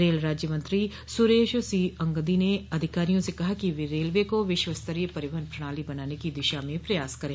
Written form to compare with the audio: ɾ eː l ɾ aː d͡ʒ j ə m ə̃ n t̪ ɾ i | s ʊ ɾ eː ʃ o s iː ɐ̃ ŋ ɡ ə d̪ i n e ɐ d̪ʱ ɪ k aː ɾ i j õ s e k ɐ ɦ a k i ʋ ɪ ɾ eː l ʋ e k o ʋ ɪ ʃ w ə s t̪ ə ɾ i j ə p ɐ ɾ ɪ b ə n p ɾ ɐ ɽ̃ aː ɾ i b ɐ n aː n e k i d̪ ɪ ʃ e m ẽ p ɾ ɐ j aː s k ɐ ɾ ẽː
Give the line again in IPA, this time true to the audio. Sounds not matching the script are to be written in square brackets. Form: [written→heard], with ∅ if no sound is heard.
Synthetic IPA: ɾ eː l ɾ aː d͡ʒ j ə m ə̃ n t̪ ɾ i | s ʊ ɾ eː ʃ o s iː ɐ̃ ŋ ɡ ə d̪ i n e ɐ d̪ʱ ɪ k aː ɾ i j õ s e k ɐ ɦ a k i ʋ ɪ ɾ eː l ʋ e k o ʋ ɪ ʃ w ə s t̪ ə ɾ i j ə p ɐ ɾ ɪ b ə n p ɾ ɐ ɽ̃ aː [ɾ→l] i b ɐ n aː n e k i d̪ ɪ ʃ [e→a] m ẽ p ɾ ɐ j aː s k ɐ ɾ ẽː